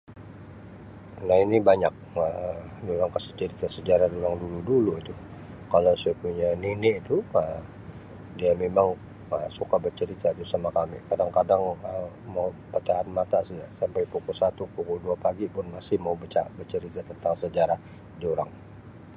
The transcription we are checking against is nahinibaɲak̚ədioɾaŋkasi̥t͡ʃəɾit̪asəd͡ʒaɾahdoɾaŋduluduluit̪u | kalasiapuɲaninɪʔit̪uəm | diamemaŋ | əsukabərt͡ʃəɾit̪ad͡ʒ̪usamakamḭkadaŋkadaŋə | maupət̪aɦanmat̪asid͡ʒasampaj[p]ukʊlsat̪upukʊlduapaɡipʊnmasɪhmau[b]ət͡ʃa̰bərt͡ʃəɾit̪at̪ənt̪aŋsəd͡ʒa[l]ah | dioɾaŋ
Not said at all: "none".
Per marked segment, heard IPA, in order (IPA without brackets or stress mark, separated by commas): p, b, ɾ